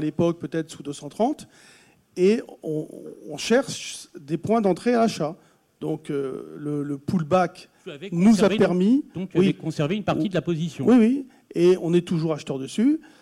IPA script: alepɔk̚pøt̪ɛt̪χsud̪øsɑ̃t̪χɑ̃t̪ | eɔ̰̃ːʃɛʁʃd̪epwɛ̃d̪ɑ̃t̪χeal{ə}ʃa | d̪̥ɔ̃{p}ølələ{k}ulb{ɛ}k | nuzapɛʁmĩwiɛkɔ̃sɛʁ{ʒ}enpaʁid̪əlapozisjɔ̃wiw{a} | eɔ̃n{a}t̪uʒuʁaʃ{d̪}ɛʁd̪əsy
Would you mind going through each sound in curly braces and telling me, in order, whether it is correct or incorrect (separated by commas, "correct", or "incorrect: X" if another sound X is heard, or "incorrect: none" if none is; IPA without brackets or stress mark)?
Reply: incorrect: a, incorrect: k, incorrect: p, incorrect: a, incorrect: v, incorrect: i, incorrect: ɛ, incorrect: t̪